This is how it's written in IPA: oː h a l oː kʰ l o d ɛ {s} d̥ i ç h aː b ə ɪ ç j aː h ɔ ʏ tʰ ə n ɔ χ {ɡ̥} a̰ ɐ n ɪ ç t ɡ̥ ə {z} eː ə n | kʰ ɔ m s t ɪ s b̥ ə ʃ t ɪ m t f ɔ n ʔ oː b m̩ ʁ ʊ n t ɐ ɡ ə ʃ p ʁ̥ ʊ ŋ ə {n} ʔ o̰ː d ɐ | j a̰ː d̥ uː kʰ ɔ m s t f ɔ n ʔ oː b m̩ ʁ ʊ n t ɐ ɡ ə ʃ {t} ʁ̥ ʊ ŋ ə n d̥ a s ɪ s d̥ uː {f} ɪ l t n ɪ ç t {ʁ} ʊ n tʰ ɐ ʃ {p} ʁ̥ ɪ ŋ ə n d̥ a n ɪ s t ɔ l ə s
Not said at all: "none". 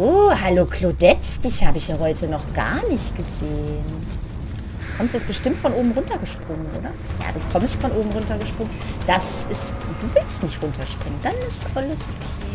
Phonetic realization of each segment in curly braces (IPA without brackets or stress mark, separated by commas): t, ɡ̥, z, n, p, v, ʁ, p